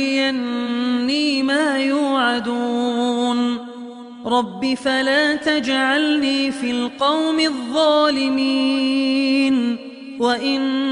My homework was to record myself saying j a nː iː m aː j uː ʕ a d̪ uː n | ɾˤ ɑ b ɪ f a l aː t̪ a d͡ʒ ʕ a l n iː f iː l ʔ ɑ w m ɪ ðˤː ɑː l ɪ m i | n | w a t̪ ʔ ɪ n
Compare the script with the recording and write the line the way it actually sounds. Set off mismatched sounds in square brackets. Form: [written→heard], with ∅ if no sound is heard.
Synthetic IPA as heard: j a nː iː m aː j uː ʕ a d̪ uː n | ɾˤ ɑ [b→bː] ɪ f a l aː t̪ a d͡ʒ ʕ a l n iː f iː l [ʔ→q] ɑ w m ɪ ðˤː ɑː l ɪ m i | n | w a [t̪→∅] ʔ ɪ n